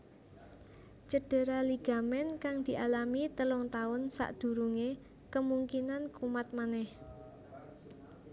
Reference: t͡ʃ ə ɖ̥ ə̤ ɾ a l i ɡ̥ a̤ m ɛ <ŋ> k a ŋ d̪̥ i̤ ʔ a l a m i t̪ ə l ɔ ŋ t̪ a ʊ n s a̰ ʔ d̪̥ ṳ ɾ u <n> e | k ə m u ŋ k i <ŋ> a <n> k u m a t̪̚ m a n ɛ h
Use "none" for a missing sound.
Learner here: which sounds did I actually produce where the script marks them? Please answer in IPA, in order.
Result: n, ŋ, n, n

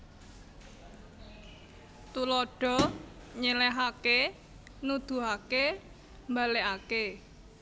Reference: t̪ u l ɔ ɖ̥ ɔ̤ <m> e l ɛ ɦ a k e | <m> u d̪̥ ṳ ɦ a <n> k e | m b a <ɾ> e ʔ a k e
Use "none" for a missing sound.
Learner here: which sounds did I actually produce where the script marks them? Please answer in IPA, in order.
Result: ɲ, n, none, l

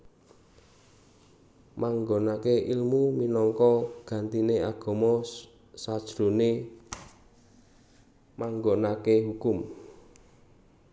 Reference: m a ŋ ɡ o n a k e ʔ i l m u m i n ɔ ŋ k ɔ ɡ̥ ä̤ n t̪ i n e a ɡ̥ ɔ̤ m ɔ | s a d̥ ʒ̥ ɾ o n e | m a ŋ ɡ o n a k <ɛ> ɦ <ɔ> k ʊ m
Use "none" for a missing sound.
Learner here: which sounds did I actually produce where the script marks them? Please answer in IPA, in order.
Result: e, u

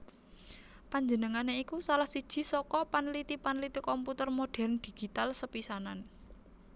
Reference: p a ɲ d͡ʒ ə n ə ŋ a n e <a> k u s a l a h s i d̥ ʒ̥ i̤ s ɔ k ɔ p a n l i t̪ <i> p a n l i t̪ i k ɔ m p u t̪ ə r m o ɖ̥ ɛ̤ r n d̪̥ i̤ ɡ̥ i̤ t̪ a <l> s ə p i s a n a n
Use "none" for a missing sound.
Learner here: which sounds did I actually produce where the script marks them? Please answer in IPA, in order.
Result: i, i, l

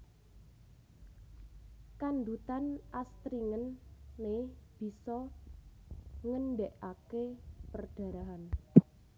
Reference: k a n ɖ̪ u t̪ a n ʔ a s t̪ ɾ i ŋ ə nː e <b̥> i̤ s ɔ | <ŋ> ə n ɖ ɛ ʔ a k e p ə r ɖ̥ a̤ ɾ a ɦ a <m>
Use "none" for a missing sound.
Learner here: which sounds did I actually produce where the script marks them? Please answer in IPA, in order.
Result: b̥, ŋ, n

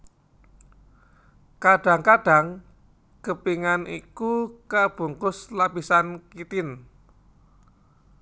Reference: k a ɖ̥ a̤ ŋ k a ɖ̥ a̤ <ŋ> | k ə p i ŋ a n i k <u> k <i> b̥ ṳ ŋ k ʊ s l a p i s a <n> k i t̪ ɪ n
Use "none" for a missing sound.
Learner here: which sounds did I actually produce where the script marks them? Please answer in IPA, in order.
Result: ŋ, u, a, n

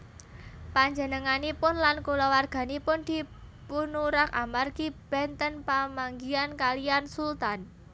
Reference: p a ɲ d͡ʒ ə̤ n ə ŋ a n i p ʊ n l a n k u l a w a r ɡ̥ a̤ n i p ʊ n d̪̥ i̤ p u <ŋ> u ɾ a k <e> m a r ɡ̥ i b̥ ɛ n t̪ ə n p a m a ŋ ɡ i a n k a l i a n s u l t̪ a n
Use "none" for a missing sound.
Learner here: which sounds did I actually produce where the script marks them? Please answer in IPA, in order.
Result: n, a

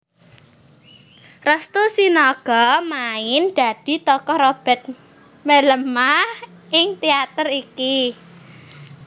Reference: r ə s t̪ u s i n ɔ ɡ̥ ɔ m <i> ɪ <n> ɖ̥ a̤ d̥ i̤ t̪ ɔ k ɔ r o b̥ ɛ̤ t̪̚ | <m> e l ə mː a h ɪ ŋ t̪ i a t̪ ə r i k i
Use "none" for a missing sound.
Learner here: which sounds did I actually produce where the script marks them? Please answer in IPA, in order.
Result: a, n, m

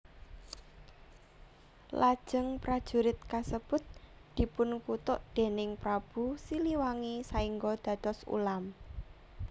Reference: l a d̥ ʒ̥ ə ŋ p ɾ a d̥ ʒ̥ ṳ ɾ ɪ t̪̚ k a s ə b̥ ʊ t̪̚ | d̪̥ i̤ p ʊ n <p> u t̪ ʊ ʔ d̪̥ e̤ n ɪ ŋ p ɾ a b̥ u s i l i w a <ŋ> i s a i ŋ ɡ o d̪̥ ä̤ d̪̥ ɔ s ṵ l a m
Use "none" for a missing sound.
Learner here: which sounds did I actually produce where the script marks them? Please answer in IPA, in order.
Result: k, ŋ

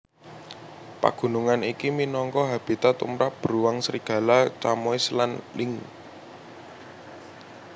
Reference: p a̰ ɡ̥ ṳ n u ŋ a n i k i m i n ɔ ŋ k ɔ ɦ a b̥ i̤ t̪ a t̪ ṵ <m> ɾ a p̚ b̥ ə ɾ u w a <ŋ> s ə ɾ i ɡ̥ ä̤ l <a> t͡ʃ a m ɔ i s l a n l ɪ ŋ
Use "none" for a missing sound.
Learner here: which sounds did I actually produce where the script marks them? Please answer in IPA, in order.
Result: m, ŋ, a

